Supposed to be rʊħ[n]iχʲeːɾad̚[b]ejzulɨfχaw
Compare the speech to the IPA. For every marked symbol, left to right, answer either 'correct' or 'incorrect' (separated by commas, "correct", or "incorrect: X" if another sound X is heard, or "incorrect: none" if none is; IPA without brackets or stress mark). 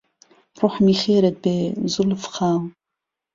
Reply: incorrect: m, correct